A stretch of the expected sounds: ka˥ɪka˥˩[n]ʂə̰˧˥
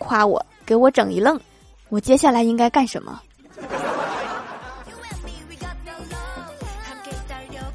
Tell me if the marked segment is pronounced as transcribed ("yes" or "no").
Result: yes